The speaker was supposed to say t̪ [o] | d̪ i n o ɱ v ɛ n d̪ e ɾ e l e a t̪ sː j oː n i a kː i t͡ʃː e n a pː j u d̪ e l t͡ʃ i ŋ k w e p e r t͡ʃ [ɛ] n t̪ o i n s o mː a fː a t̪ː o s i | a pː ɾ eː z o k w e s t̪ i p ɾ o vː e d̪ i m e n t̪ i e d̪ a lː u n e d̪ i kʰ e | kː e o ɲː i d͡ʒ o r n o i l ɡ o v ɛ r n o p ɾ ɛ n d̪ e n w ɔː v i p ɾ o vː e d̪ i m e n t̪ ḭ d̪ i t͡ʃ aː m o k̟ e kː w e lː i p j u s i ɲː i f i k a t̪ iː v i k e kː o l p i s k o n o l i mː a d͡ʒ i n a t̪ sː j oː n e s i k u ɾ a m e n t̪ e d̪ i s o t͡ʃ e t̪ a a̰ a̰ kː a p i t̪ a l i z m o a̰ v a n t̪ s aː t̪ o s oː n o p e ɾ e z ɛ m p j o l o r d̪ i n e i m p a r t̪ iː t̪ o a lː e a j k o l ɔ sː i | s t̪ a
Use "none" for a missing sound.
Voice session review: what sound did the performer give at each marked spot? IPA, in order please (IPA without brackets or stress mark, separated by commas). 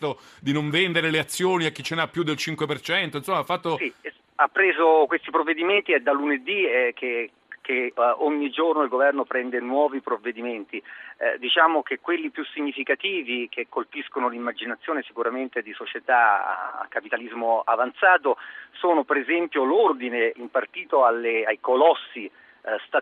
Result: o, ɛ